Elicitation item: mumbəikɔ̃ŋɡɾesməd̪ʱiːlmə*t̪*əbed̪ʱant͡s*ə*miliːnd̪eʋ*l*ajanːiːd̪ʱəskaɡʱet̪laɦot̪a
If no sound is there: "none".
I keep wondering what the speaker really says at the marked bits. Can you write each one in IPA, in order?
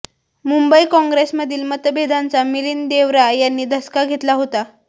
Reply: t̪, a, ɾ

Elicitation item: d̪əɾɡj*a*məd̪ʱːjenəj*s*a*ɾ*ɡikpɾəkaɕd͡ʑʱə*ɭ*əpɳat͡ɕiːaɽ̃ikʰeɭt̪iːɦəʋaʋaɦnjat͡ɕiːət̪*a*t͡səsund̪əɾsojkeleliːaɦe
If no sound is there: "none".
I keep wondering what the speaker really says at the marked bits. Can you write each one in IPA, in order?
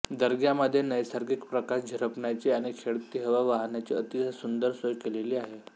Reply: a, s, ɾ, ɾ, i

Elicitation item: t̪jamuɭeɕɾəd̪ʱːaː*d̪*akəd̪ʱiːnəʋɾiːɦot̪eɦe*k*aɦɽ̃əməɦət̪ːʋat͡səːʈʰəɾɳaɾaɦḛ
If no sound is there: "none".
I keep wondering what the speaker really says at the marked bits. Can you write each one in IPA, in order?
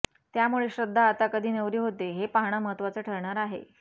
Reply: t̪, p

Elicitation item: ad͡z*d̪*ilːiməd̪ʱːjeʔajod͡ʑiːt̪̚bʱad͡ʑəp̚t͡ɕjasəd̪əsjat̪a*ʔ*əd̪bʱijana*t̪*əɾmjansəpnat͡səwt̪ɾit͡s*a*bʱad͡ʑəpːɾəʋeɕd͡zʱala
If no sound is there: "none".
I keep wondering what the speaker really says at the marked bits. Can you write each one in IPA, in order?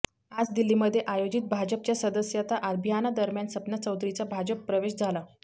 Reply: d̪, ʔ, d̪, a

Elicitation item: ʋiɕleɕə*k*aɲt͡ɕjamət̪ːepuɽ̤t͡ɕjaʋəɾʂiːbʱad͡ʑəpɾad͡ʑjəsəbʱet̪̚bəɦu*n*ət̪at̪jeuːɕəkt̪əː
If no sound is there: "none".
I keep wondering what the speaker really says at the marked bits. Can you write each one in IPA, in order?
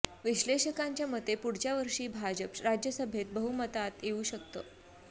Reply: k, m

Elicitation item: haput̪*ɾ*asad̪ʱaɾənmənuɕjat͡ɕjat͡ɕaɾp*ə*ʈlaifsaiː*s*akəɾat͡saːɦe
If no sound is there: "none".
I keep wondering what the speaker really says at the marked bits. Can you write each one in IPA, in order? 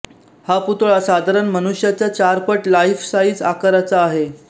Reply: ɭ, ə, t͡s

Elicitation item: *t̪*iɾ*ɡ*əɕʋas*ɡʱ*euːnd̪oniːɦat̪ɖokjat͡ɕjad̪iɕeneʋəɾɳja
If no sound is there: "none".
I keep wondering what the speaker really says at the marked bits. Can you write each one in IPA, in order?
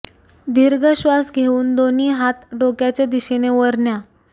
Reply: d̪, ɡ, ɡʱ

